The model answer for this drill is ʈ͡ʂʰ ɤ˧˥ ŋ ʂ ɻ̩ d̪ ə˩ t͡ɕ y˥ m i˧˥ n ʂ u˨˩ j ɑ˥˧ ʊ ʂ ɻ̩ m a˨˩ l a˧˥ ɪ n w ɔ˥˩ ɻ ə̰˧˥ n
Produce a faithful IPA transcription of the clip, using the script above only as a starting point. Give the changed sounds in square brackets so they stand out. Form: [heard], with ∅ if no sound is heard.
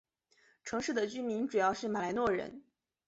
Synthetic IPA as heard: ʈ͡ʂʰ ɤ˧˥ ŋ ʂ ɻ̩ d̪ ə˩ t͡ɕ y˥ m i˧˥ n [ʈ͡ʂ] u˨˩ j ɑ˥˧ ʊ ʂ ɻ̩ m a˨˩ l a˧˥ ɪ n w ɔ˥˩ ɻ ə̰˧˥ n

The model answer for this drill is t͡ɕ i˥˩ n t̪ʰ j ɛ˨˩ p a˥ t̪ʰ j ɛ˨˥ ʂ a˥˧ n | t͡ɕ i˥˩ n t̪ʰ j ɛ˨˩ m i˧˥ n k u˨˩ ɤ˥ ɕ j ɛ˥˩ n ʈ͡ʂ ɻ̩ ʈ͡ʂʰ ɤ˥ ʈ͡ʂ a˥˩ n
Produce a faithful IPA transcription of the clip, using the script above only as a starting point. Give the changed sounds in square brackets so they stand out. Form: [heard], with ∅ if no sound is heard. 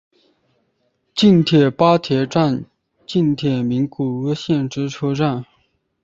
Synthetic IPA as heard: t͡ɕ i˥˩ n t̪ʰ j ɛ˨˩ p a˥ t̪ʰ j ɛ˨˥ [ʈ͡ʂ] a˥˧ n | t͡ɕ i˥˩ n t̪ʰ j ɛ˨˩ m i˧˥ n k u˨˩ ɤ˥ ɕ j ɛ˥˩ n ʈ͡ʂ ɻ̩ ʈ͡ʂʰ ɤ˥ ʈ͡ʂ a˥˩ n

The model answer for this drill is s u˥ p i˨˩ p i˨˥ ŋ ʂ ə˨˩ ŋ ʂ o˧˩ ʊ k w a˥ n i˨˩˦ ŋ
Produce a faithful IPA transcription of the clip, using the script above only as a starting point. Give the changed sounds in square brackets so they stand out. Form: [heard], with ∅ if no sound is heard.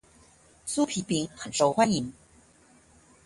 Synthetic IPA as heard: s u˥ [pʰ] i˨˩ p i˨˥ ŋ [x] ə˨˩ [n] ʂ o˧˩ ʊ [x] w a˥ n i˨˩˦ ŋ

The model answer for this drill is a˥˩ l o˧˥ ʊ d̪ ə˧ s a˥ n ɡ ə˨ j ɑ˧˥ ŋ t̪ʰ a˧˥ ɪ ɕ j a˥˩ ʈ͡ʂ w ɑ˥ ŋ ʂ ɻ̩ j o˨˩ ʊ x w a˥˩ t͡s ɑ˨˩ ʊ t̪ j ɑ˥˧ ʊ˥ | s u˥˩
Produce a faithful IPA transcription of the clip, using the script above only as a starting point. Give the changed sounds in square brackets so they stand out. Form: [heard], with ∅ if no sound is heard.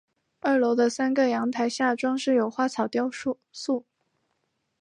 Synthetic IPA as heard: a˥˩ l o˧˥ ʊ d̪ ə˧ s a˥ n ɡ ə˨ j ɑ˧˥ ŋ t̪ʰ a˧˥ ɪ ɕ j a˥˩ ʈ͡ʂ w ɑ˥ ŋ ʂ ɻ̩ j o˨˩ ʊ x w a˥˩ [t͡sʰ] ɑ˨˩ ʊ t̪ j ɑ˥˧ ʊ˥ | s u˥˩

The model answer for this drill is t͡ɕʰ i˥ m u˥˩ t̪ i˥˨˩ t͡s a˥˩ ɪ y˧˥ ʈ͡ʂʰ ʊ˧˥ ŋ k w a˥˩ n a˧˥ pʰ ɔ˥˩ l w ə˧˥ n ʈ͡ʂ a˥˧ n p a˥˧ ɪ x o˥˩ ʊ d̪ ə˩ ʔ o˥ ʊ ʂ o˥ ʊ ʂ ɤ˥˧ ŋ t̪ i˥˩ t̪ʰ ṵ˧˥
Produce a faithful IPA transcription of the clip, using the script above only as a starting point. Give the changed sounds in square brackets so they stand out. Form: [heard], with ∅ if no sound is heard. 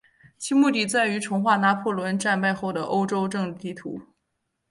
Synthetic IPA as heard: t͡ɕʰ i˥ m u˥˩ t̪ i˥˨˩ t͡s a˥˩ ɪ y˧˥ ʈ͡ʂʰ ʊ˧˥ ŋ [x] w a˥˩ n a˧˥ pʰ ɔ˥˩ l w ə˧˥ n ʈ͡ʂ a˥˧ n p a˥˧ ɪ x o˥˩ ʊ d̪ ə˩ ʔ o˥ ʊ [ʈ͡ʂ] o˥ ʊ [ʈ͡ʂ] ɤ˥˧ ŋ t̪ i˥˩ t̪ʰ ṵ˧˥

